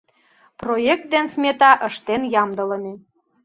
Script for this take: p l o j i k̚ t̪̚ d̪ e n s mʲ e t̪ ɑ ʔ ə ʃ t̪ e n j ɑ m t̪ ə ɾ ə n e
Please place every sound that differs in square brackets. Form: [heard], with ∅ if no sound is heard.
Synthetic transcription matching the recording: p [r] o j [e] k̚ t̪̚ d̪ e n s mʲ e t̪ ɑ ʔ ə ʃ t̪ e n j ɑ m [d̪] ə [l] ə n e